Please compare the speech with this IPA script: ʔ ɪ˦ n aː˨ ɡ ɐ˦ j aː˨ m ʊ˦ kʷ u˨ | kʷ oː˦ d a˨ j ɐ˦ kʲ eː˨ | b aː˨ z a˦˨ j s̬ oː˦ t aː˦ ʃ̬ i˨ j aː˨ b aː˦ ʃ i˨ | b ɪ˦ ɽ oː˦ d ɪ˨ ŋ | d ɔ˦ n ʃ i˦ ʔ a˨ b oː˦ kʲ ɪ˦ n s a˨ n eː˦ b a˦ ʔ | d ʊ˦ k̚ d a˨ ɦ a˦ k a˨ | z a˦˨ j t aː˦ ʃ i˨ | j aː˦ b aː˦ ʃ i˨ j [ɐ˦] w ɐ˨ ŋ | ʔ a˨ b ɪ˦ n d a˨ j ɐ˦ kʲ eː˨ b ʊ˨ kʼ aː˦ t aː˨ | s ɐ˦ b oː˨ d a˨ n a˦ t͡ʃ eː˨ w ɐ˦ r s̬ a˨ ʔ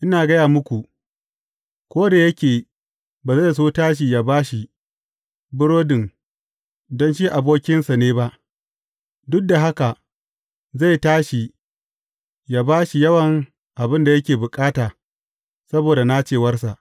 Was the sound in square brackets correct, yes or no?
yes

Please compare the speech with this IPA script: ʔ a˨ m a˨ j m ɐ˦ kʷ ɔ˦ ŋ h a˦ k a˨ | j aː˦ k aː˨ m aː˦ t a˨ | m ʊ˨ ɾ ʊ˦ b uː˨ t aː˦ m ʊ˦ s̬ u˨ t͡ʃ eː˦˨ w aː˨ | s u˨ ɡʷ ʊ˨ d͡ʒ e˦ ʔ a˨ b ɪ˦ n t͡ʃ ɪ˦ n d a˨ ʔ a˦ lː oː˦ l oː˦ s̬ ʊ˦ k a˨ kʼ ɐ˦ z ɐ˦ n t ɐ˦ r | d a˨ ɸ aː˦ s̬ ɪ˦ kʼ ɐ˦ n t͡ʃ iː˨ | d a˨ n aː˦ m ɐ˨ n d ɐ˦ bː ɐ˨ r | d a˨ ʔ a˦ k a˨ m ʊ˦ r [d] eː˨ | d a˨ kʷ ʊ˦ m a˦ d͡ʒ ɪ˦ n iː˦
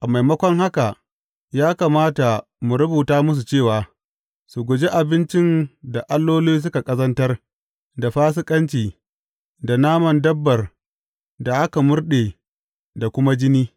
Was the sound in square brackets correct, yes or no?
no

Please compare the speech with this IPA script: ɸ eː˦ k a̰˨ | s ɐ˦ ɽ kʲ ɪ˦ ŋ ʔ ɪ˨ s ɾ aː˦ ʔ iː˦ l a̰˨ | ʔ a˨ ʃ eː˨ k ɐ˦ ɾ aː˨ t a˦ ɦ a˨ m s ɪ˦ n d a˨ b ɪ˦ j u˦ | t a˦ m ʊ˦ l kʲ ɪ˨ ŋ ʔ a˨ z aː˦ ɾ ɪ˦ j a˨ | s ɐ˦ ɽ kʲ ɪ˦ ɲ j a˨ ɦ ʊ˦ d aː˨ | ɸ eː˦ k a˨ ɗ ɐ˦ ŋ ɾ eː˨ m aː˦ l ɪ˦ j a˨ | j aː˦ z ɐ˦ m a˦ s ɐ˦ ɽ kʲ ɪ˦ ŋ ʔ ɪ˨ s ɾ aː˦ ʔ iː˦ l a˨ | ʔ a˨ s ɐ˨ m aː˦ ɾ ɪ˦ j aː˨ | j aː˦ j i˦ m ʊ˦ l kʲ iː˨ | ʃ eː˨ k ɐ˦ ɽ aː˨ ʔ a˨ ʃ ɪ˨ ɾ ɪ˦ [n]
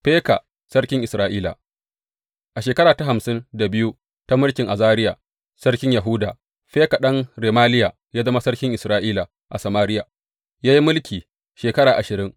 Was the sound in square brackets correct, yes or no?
no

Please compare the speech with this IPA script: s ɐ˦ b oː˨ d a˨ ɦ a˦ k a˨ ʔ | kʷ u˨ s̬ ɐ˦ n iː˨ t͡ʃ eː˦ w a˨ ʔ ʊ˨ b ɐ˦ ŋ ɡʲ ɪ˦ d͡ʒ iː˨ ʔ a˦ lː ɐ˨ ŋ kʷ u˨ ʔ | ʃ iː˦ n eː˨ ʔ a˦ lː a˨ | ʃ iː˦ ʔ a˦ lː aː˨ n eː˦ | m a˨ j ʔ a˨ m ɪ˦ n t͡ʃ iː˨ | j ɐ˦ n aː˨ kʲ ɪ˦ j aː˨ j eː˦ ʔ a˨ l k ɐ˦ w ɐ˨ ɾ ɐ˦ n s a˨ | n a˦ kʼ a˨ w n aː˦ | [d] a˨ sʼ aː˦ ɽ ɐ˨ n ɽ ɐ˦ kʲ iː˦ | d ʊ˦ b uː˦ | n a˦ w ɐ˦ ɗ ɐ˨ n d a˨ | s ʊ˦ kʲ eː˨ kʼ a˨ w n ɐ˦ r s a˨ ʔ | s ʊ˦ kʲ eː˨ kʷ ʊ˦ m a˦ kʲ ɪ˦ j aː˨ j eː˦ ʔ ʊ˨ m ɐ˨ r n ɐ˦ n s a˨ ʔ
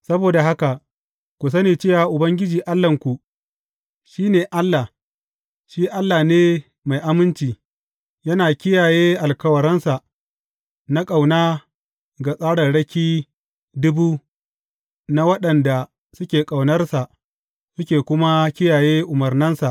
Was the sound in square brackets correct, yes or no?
no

